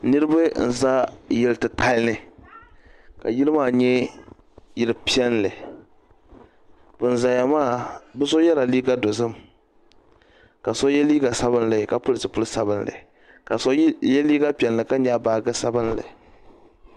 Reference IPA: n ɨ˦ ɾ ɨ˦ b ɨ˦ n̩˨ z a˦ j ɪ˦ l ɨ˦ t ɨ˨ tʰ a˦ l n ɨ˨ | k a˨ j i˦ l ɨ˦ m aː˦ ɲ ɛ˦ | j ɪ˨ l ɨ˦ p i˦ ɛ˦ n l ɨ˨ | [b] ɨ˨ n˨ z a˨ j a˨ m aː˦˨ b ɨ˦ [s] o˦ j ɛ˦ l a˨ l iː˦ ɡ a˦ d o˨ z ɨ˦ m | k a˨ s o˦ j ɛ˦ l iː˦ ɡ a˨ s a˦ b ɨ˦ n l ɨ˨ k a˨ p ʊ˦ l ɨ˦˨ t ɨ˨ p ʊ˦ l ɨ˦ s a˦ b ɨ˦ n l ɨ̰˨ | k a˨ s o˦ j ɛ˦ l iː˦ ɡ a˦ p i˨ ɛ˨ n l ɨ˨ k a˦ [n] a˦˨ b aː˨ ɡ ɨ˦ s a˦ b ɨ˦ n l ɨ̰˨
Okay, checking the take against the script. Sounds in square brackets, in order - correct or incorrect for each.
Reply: correct, correct, incorrect: ɲ

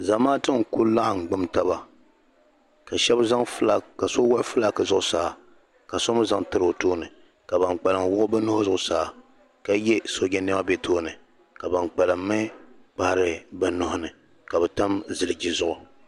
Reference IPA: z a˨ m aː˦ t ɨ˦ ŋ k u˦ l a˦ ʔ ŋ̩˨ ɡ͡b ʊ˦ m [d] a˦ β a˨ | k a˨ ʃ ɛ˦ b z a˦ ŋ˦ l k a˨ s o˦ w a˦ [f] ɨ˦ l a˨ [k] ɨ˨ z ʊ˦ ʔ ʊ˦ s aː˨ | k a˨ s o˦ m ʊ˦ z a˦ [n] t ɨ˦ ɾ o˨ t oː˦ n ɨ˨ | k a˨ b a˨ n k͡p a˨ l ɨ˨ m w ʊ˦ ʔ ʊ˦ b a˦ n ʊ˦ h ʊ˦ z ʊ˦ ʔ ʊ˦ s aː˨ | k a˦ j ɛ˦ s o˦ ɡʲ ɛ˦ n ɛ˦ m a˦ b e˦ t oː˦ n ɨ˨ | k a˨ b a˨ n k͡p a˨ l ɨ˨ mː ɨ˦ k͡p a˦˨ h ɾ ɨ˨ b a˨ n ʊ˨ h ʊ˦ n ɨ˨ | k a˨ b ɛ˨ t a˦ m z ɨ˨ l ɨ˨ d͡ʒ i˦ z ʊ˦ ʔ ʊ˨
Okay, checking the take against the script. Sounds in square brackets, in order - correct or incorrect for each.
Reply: incorrect: t, correct, correct, incorrect: ŋ

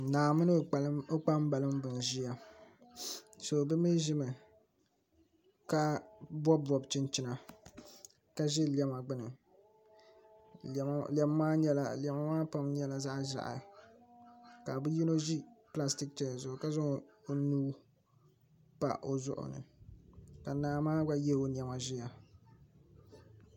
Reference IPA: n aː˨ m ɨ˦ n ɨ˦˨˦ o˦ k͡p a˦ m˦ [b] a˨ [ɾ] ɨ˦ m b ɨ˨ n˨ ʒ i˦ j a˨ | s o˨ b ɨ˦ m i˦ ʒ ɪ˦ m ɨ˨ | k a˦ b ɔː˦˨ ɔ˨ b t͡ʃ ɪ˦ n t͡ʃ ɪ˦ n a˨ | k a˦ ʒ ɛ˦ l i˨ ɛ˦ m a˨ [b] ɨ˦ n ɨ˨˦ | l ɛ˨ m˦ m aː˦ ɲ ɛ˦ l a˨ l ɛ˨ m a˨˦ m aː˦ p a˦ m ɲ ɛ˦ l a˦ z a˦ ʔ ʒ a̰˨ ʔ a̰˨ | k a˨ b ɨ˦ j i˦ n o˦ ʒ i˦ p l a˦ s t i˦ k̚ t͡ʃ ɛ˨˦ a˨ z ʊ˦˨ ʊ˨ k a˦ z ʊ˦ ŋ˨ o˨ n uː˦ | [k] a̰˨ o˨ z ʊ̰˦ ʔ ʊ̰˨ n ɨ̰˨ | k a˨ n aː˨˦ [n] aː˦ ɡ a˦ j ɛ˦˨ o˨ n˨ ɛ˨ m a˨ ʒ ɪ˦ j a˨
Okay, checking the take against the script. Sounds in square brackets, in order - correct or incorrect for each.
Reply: correct, incorrect: l, incorrect: ɡ͡b, incorrect: p, incorrect: m

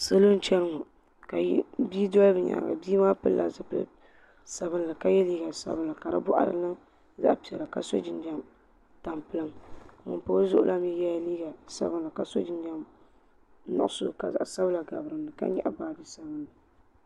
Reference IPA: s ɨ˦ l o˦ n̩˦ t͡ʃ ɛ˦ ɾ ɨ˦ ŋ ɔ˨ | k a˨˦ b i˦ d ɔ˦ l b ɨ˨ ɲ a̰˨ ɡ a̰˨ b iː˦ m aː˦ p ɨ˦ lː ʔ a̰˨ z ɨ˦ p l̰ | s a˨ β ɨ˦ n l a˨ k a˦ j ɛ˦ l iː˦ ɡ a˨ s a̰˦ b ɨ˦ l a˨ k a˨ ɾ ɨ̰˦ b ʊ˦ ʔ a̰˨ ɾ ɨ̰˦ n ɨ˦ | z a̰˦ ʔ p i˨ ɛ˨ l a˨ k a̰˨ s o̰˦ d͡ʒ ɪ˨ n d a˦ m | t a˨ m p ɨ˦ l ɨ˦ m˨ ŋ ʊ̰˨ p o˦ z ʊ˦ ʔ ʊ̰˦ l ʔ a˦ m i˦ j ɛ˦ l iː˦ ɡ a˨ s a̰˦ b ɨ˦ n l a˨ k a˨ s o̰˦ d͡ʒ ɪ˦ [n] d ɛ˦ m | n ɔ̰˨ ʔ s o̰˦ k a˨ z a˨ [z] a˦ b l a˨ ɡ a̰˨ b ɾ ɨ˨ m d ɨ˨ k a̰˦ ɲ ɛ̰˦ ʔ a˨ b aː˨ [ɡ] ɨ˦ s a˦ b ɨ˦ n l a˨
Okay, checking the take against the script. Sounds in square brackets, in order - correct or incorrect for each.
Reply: correct, incorrect: s, incorrect: d

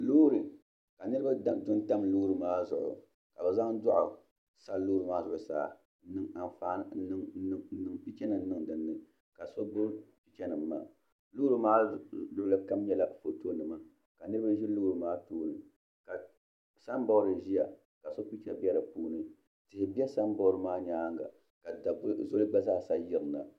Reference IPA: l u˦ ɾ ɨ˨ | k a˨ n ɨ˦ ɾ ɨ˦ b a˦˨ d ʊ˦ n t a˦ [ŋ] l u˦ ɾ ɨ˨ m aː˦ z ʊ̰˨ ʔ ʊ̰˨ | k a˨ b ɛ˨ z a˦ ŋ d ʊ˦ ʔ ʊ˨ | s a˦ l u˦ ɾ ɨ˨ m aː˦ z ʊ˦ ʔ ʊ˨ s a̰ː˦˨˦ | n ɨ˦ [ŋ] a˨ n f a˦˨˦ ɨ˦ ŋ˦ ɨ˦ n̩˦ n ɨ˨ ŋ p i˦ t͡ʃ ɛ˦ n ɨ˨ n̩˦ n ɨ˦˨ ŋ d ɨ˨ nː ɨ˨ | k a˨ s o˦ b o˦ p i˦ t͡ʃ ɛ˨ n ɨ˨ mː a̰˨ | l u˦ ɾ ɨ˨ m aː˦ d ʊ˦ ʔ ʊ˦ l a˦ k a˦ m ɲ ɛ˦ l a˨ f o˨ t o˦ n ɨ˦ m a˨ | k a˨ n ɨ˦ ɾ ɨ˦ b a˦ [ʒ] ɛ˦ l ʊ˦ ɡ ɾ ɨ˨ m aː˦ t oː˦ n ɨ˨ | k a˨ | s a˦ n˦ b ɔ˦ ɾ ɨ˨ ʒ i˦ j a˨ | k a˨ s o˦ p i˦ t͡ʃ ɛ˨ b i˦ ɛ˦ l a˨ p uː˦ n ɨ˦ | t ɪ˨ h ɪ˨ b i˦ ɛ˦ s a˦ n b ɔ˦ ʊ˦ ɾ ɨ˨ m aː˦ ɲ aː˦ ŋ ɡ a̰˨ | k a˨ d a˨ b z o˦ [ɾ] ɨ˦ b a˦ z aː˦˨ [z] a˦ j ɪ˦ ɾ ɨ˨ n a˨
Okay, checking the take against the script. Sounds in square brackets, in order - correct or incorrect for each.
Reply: incorrect: m, correct, correct, incorrect: l, incorrect: s

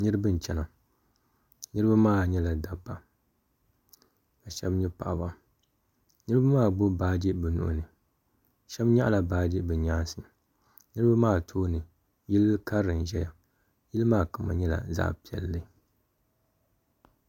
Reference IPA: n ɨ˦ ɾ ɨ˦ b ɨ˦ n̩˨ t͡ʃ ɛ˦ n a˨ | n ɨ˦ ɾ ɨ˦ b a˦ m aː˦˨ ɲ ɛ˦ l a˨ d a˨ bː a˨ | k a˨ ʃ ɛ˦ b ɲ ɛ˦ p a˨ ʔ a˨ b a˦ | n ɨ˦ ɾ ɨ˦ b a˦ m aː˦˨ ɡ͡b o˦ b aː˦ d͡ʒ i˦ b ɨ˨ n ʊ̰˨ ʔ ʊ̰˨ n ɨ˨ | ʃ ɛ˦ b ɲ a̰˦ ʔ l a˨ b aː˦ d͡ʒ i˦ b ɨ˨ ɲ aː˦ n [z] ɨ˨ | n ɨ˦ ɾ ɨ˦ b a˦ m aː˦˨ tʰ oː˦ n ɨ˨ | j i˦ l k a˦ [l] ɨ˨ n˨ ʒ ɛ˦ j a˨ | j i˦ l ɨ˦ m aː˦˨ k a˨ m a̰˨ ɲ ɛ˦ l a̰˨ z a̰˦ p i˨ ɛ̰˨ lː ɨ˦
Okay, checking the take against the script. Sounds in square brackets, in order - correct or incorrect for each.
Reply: incorrect: s, incorrect: ɾ

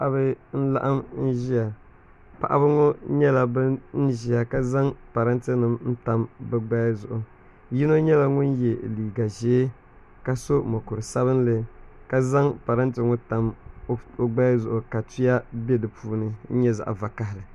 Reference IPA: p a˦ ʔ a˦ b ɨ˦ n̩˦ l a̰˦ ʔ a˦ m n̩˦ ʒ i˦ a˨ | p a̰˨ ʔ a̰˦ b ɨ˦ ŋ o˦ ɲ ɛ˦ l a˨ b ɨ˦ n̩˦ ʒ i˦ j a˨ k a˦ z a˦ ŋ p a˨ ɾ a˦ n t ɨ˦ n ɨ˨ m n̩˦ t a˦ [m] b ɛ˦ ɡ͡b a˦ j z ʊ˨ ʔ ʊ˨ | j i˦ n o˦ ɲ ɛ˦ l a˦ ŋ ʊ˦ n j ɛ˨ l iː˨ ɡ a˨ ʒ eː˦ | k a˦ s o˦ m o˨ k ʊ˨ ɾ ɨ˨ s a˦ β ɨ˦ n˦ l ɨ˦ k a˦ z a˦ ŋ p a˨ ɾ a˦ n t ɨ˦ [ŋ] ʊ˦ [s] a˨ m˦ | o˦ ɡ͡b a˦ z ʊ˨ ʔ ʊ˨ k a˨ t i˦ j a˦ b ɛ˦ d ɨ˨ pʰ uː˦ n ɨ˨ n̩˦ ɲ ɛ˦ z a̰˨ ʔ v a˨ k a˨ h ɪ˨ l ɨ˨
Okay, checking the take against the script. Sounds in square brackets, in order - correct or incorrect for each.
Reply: correct, correct, incorrect: t

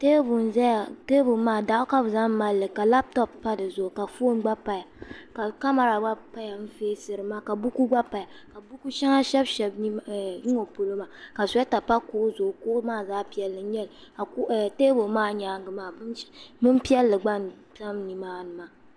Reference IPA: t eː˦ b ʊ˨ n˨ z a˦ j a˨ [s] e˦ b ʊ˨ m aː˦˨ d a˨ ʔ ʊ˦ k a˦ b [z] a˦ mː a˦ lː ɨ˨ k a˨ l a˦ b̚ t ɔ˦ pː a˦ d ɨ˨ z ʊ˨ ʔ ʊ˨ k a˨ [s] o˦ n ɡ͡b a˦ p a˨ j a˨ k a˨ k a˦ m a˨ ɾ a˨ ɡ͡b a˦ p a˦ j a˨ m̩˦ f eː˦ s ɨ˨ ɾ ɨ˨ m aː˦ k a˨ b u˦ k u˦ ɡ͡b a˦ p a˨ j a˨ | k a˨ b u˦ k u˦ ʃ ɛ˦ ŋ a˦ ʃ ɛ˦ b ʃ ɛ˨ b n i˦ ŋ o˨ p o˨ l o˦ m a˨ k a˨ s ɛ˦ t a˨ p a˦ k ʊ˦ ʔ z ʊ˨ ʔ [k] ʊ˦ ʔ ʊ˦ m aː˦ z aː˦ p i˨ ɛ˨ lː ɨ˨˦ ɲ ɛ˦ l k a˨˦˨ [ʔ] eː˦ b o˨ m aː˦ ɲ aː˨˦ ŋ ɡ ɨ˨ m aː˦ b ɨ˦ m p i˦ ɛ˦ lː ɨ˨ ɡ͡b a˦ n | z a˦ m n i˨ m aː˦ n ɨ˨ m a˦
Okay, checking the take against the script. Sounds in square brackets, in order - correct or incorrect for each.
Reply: incorrect: t, correct, incorrect: f, correct, incorrect: t

